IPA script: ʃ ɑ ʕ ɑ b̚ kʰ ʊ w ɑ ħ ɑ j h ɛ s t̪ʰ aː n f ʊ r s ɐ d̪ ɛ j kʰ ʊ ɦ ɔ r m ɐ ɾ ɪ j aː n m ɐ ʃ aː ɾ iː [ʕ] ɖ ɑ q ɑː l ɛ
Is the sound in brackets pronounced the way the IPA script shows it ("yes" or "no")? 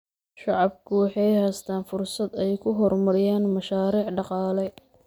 yes